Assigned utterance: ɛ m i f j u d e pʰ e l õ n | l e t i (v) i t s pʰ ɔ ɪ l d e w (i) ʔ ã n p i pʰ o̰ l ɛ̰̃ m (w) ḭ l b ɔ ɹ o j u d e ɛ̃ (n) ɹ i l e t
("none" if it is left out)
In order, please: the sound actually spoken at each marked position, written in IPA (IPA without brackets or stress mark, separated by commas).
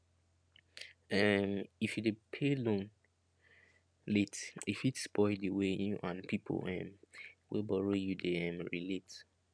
f, e, w, m